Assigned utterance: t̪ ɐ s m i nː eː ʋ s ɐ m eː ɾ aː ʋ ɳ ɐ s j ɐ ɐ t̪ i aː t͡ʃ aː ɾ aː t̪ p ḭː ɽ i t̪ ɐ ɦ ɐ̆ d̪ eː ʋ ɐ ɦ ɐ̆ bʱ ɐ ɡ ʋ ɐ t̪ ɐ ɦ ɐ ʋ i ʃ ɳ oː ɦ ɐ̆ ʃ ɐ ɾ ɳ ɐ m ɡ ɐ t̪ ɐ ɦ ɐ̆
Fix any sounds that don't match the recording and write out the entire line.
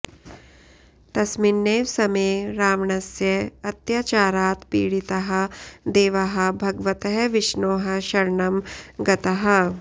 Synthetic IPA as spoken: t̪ ɐ s m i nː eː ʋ s ɐ m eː ɾ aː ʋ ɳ ɐ s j ɐ ɐ t̪ j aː t͡ʃ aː ɾ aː t̪ p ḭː ɽ i t̪ ɐ ɦ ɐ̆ d̪ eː ʋ ɐ ɦ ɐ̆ bʱ ɐ ɡ ʋ ɐ t̪ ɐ ɦ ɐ ʋ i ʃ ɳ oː ɦ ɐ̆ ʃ ɐ ɾ ɳ ɐ m ɡ ɐ t̪ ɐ ɦ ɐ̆